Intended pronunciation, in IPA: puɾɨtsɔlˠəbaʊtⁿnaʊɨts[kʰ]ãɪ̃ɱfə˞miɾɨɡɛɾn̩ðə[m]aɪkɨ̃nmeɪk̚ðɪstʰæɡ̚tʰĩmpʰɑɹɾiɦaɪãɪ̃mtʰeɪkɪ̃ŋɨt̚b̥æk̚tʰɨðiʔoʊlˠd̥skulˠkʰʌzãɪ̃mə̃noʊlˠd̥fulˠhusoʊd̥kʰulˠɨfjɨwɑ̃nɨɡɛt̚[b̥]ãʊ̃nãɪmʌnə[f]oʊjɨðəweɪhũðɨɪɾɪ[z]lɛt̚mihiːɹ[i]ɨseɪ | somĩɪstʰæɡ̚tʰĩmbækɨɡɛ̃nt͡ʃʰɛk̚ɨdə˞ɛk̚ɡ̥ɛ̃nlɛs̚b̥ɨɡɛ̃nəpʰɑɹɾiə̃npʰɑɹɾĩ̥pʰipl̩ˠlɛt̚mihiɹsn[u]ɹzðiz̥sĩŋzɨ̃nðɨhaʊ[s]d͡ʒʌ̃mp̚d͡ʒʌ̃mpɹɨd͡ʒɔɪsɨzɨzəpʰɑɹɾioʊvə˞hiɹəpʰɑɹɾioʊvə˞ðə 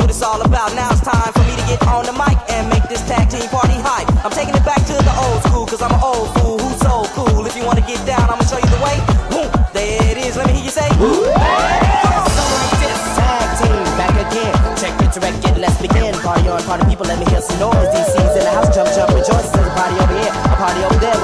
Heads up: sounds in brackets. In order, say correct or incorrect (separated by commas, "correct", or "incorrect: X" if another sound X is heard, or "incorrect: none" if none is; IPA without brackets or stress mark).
incorrect: tʰ, correct, incorrect: d̥, incorrect: ʃ, correct, incorrect: j, incorrect: ɔ, correct